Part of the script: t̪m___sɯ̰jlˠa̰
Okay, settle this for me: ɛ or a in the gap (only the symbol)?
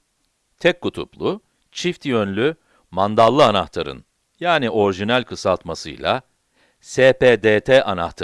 a